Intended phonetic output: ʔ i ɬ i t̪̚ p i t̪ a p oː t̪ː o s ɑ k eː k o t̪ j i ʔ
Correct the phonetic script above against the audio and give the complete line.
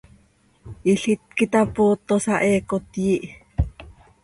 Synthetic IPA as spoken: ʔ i ɬ i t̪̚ k i t̪ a p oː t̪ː o s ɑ ʔ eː k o t̪ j i ʔ